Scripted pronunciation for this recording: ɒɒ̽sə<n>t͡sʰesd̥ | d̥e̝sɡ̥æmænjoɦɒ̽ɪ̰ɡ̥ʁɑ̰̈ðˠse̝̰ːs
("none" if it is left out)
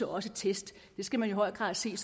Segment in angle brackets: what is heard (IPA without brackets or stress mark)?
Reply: none